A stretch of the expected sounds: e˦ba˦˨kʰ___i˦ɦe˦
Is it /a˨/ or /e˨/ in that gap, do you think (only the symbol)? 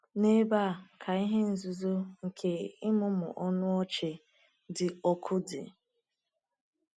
a˨